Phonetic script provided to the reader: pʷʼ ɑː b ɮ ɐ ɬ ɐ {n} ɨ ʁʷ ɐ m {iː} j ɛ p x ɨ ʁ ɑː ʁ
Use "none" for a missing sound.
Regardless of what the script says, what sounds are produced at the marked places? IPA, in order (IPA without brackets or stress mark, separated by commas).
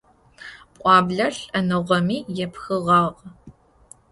n, iː